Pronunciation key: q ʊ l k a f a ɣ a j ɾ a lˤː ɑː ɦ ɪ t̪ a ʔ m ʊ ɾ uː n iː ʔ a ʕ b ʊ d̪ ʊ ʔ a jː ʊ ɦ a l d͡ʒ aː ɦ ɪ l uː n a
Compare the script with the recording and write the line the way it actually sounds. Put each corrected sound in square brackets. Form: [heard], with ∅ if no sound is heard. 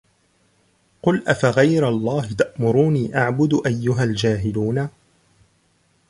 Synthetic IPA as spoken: q ʊ l [ʔ] a f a ɣ a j ɾ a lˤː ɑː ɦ ɪ t̪ a ʔ m ʊ ɾ uː n iː ʔ a ʕ b ʊ d̪ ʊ ʔ a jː ʊ ɦ a l d͡ʒ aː ɦ ɪ l uː n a